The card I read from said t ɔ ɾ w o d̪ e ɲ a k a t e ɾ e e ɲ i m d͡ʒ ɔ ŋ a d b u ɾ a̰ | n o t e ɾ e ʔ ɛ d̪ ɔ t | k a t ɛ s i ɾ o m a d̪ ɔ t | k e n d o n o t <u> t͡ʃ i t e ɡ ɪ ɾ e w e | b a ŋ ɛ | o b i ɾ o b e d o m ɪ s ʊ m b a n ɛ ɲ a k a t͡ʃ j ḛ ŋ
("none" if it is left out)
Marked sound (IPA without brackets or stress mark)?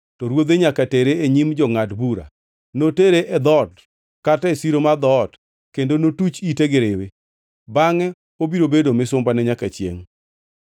u